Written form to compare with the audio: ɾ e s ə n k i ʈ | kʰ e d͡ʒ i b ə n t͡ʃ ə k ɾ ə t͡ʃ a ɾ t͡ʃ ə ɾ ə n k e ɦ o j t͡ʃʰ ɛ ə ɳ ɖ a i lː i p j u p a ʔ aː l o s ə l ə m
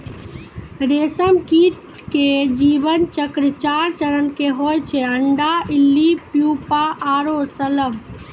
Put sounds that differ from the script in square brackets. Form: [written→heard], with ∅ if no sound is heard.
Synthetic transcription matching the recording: ɾ e s ə [n→m] k i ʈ | [kʰ→k] e d͡ʒ i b ə n t͡ʃ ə k ɾ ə t͡ʃ a ɾ t͡ʃ ə ɾ ə n k e ɦ o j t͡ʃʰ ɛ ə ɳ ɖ a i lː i p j u p a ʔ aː [l→ɾ] o s ə l ə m